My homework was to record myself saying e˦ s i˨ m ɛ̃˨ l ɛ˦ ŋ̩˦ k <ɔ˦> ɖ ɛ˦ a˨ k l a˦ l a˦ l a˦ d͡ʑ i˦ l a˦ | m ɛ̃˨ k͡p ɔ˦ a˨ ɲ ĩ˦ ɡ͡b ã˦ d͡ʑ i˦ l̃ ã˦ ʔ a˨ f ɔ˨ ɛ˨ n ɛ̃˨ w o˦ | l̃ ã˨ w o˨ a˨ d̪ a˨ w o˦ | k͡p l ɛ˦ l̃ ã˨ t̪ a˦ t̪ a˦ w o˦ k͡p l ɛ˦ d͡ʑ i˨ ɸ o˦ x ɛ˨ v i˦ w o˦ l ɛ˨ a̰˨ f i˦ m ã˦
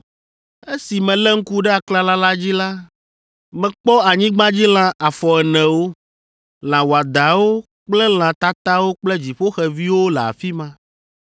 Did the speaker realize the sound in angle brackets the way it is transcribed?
no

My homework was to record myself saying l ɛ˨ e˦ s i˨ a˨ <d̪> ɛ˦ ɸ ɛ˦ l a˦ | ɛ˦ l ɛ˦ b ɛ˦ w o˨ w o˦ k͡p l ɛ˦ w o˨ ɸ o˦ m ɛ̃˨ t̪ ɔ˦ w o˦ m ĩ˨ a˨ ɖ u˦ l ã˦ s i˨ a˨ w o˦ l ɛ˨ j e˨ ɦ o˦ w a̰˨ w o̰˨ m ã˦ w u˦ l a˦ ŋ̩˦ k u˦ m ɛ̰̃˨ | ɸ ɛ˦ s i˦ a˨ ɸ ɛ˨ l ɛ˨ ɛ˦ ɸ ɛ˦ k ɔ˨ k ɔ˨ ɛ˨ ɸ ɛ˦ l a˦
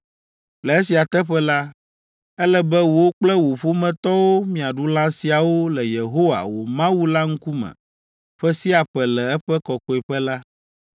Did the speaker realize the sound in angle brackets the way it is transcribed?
no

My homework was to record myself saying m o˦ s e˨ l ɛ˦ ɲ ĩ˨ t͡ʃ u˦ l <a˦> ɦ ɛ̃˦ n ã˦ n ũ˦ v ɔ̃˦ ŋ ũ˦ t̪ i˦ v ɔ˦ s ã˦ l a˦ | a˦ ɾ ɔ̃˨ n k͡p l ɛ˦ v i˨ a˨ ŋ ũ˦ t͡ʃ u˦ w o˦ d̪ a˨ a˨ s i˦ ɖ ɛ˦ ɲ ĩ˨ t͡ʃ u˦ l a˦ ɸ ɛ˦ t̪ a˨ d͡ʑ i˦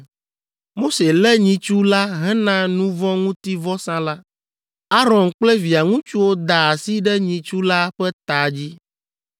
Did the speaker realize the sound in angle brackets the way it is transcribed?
yes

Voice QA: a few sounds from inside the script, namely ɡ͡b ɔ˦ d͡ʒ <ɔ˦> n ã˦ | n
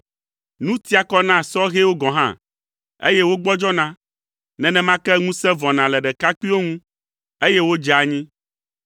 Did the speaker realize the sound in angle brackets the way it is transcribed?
yes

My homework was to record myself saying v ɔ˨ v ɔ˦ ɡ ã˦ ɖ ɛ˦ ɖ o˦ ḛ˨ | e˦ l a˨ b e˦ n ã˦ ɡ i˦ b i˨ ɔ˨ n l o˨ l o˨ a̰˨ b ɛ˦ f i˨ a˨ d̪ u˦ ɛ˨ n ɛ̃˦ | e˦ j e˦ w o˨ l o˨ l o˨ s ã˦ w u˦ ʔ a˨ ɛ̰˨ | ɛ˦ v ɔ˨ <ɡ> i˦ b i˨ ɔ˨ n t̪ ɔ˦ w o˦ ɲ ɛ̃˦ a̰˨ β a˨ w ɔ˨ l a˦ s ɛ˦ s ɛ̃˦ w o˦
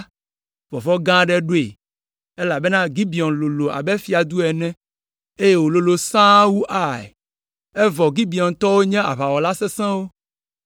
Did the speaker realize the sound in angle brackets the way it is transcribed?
yes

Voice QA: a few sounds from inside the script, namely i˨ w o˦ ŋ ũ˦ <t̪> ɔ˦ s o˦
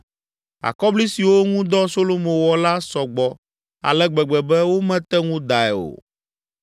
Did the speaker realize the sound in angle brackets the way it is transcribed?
no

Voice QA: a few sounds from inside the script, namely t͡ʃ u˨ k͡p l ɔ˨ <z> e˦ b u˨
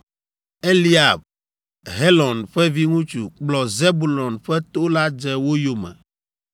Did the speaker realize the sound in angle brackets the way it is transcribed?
yes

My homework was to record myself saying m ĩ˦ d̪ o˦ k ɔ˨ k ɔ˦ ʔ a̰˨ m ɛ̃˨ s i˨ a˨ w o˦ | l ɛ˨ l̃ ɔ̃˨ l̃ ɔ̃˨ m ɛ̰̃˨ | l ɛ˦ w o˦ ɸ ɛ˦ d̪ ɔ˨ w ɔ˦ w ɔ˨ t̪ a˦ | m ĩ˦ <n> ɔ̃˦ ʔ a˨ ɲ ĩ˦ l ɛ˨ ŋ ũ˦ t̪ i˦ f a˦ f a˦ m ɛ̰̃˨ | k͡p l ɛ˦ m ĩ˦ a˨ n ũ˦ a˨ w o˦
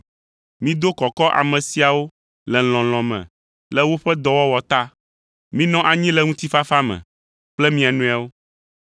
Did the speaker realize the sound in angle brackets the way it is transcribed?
yes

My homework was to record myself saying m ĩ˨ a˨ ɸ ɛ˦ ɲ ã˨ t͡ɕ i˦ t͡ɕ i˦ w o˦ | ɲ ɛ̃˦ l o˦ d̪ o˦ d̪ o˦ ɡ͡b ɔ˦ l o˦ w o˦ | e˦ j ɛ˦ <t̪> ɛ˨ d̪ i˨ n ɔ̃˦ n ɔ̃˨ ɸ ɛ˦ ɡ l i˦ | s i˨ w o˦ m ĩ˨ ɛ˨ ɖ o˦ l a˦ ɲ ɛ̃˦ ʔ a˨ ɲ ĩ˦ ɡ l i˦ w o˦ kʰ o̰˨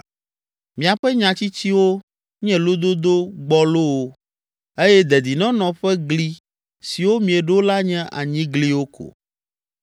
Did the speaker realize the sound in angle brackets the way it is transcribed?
no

